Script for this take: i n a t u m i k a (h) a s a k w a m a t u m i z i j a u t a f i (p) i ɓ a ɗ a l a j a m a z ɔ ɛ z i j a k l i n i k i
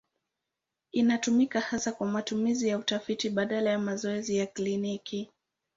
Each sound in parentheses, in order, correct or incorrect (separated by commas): correct, incorrect